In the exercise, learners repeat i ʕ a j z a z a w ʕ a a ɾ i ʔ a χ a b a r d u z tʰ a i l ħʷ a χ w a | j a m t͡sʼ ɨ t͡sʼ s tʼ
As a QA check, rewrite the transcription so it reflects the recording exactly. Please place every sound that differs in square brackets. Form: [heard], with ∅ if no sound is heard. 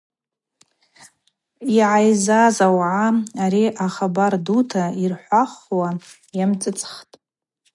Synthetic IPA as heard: i ʕ a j z a z a w ʕ a a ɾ i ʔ a χ a b a r d u [∅] tʰ a i [r] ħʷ a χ w a | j a m t͡sʼ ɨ t͡sʼ [χ] tʼ